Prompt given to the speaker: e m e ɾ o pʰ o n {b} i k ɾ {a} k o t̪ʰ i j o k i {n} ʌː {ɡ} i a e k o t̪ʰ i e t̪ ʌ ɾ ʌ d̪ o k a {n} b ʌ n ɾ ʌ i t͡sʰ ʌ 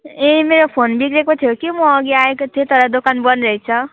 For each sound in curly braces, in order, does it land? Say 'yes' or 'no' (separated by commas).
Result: yes, no, no, yes, yes